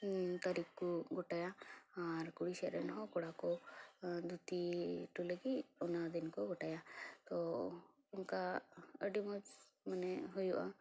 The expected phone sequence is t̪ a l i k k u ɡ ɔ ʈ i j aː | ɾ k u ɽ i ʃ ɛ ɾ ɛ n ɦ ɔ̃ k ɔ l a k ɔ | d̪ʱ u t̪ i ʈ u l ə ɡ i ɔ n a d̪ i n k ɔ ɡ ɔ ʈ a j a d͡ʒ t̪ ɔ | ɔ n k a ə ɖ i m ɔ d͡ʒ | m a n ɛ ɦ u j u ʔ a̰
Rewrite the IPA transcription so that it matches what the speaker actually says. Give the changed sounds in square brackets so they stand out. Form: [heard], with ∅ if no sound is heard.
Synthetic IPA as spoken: t̪ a [ɾ] i k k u ɡ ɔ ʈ [a] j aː | ɾ k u ɽ i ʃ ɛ ɾ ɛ n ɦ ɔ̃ k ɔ [ɽ] a k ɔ | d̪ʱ u t̪ i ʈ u l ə ɡ i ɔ n a d̪ i n k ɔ ɡ ɔ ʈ a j a [∅] t̪ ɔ | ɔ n k a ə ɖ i m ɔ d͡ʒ | m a n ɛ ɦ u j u ʔ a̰